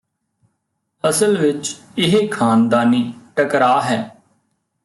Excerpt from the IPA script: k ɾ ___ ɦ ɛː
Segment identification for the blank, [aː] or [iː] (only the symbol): aː